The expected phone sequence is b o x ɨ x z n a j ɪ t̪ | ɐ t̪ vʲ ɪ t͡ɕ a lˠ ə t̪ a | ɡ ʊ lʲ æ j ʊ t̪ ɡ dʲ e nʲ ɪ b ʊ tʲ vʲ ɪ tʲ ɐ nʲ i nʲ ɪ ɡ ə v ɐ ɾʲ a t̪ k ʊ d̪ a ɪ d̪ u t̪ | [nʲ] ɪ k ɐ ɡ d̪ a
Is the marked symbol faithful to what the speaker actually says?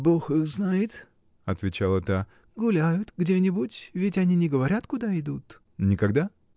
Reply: yes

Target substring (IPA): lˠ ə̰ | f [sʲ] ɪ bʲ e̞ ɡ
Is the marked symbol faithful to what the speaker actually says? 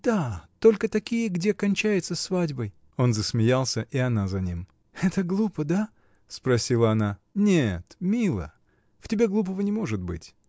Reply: no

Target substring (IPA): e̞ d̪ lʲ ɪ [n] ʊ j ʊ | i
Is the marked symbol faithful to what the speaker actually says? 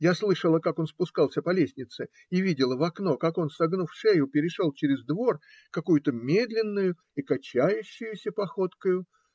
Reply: no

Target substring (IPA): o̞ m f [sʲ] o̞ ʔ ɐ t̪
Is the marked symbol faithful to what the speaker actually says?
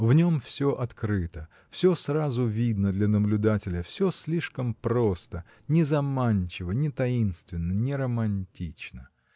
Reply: yes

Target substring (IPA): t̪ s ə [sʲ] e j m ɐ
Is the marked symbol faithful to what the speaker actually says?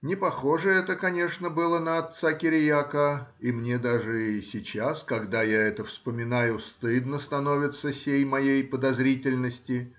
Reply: yes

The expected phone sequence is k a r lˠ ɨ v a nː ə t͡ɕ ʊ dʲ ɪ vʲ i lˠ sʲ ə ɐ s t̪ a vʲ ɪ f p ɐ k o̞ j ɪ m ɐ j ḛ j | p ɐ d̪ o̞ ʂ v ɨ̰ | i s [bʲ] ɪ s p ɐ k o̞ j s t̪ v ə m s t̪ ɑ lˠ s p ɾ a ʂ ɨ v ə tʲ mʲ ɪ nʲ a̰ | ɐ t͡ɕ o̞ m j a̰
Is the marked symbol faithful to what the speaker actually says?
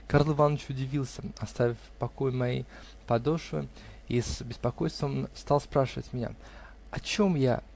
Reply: yes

